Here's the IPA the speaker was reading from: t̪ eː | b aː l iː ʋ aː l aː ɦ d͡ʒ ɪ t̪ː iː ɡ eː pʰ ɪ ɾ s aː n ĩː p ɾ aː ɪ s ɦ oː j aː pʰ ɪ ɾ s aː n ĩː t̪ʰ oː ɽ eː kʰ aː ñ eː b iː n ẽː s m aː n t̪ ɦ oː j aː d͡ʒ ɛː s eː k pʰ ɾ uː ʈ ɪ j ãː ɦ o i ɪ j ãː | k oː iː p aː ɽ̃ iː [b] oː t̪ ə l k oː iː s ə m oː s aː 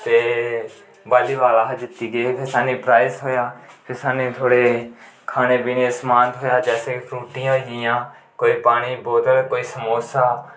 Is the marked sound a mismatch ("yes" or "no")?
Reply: no